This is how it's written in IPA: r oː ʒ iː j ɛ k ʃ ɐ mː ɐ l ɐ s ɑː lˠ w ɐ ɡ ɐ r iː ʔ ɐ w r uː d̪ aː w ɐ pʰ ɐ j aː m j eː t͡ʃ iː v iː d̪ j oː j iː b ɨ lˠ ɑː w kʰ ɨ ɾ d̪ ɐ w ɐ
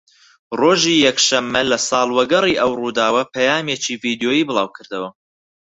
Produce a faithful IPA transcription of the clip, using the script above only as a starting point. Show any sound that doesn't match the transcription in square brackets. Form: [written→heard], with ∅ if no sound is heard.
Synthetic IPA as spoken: r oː ʒ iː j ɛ k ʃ ɐ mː ɐ l ɐ s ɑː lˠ w ɐ ɡ ɐ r iː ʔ ɐ w r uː d̪ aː w ɐ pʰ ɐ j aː m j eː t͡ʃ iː v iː d̪ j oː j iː b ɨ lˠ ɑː w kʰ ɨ ɾ d̪ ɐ w ɐ